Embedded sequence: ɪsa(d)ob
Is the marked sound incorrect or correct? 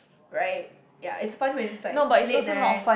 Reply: incorrect